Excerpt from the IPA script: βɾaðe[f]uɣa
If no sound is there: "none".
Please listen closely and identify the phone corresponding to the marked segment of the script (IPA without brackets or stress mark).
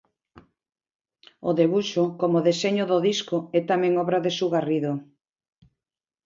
s